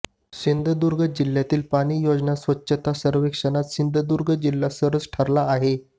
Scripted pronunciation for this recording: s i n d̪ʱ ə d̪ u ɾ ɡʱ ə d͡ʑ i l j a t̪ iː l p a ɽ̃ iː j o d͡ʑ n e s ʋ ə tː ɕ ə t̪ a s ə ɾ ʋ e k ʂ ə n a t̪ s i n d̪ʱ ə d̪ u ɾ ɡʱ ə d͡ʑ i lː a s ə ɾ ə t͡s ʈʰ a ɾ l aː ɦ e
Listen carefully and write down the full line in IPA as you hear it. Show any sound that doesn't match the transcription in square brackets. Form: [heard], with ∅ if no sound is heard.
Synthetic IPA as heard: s i n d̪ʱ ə d̪ u ɾ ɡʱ ə d͡ʑ i l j a t̪ iː l p a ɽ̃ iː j o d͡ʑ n [a] s ʋ ə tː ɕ ə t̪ a s ə ɾ ʋ e k ʂ ə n a t̪ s i n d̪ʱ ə d̪ u ɾ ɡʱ ə d͡ʑ i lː a s ə ɾ ə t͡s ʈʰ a ɾ l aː ɦ e